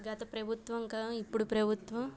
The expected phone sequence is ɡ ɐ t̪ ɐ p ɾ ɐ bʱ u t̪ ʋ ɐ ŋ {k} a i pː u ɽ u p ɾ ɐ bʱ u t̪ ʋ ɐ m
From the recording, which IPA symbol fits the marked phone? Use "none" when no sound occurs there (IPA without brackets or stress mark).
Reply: k